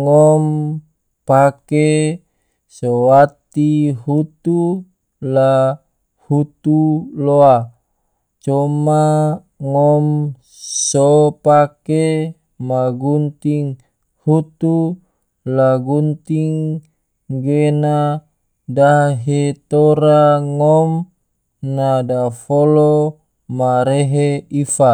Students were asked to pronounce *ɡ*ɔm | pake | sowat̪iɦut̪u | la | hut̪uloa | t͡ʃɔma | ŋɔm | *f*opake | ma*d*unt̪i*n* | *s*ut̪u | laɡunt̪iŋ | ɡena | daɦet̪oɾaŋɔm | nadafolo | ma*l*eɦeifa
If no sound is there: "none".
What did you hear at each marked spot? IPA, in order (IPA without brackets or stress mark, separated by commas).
ŋ, s, ɡ, ŋ, h, ɾ